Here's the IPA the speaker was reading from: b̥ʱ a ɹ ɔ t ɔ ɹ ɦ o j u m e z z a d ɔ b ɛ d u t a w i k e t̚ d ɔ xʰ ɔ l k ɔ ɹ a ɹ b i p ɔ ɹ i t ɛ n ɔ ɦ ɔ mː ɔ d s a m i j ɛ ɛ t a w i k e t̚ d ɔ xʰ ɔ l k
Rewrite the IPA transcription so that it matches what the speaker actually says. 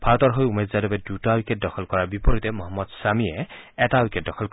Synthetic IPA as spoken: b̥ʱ a ɹ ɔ t ɔ ɹ ɦ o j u m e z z a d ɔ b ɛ d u t a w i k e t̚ d ɔ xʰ ɔ l k ɔ ɹ a ɹ b i p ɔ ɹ i t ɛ m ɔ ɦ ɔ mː ɔ d s a m i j ɛ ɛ t a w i k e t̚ d ɔ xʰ ɔ l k